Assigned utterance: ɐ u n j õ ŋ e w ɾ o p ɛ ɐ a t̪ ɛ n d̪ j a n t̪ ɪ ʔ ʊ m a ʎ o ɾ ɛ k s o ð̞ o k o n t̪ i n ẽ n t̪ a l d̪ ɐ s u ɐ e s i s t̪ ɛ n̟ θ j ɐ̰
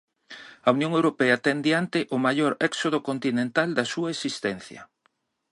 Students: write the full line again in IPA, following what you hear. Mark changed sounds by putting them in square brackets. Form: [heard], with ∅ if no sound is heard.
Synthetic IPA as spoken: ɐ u n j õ ŋ e w ɾ o p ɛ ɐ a t̪ ɛ n d̪ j a n t̪ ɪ ʔ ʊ m a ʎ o ɾ ɛ k s o ð̞ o k o n t̪ i n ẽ n t̪ a l d̪ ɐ s u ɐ e s i s t̪ ɛ n̟ θ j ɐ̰